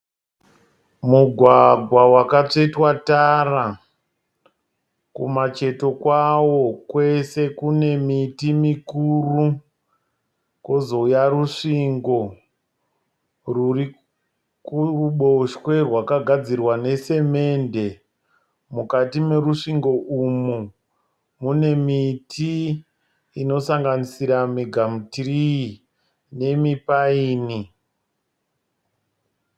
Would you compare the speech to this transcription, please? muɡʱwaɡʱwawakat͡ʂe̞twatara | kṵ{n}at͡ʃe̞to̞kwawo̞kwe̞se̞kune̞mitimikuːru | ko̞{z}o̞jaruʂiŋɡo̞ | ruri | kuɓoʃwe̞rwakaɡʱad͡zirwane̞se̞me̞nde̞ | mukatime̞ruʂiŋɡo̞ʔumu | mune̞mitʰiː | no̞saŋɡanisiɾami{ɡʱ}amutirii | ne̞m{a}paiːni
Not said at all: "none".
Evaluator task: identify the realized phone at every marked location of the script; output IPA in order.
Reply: m, z, ɡʱ, i

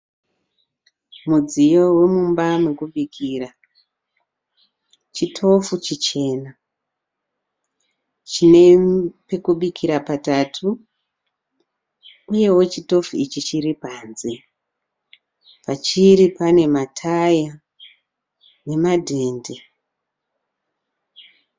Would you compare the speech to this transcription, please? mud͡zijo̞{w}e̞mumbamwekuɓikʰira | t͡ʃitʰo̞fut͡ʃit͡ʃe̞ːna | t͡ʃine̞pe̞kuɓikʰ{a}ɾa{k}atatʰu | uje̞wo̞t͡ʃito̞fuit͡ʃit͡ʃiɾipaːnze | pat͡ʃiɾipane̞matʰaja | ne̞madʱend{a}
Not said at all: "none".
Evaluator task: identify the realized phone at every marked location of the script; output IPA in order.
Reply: w, i, p, e

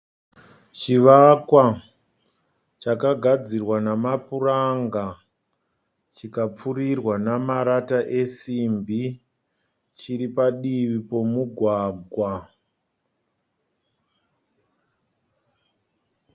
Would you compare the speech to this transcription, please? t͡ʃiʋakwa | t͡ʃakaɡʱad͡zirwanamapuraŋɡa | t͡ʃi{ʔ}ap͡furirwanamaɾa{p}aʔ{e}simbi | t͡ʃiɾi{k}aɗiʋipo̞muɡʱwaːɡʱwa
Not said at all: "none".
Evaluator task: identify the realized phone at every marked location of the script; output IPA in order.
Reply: k, t, e, p

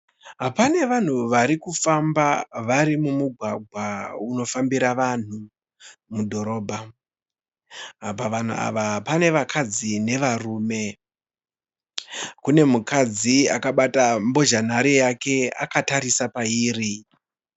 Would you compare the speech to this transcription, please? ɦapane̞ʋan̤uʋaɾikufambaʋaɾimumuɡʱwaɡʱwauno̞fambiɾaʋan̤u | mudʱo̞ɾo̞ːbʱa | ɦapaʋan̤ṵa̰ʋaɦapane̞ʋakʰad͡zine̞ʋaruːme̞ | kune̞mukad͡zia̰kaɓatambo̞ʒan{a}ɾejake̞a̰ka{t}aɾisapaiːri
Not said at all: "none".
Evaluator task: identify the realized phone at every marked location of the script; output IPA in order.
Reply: a, t

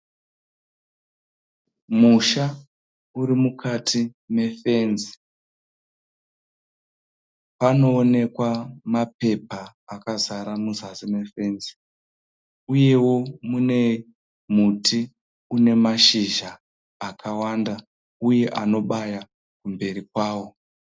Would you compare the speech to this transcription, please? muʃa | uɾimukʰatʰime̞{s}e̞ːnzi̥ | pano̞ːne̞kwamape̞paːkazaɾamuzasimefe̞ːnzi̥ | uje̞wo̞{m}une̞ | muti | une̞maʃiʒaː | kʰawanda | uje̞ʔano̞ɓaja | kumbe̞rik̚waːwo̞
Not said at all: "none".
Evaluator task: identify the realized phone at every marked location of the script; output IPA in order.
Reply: f, m

